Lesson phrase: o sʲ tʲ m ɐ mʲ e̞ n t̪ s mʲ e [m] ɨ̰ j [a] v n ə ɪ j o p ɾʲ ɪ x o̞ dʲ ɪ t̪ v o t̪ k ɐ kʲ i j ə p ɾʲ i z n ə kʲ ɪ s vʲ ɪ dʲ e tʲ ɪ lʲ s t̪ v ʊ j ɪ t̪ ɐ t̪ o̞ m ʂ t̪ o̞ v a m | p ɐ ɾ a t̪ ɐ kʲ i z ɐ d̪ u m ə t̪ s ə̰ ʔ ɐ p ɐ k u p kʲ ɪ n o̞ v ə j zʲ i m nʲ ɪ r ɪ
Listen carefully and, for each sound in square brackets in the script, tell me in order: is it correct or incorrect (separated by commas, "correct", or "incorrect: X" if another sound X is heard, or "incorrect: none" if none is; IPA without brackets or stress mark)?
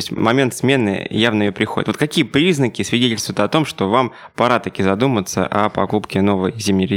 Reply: incorrect: n, correct